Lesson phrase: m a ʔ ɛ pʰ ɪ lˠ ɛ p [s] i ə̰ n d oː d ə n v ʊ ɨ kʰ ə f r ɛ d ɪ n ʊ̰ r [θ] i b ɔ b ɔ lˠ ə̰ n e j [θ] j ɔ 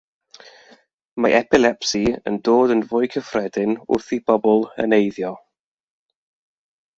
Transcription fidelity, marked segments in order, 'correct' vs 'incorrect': correct, correct, incorrect: ð

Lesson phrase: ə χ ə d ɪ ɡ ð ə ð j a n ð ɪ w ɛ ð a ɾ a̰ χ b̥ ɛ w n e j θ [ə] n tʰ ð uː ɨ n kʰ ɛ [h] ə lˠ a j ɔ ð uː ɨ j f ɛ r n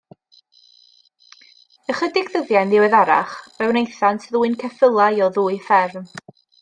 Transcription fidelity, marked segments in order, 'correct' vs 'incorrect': incorrect: a, incorrect: f

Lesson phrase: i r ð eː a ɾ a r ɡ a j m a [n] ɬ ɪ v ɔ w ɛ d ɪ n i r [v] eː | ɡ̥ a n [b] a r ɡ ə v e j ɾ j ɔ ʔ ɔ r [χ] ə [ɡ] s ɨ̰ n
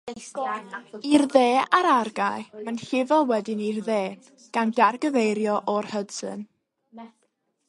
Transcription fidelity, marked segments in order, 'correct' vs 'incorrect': correct, incorrect: ð, incorrect: d, incorrect: h, incorrect: d

